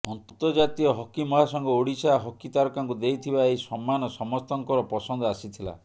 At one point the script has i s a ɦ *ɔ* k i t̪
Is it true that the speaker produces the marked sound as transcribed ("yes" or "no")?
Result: yes